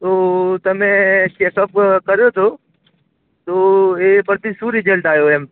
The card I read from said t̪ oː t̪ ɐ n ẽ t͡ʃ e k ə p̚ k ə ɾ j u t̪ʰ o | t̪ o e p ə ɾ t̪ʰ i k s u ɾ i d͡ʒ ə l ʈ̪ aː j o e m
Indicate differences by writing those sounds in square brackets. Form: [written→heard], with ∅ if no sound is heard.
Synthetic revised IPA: t̪ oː t̪ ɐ [n→m] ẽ t͡ʃ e k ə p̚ k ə ɾ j [u→o] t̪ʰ o | t̪ o e p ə ɾ [t̪ʰ→t̪] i [k→∅] s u ɾ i d͡ʒ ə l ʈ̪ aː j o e m